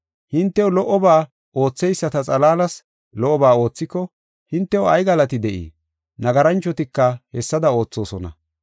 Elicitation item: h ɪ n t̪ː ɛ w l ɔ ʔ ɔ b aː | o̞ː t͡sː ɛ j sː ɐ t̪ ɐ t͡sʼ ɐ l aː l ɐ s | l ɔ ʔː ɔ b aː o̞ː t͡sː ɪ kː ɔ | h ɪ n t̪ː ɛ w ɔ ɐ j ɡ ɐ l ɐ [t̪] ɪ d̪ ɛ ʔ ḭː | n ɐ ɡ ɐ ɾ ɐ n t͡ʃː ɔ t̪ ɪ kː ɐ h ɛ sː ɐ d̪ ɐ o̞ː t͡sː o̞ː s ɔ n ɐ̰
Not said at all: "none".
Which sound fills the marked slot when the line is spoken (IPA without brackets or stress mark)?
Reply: t̪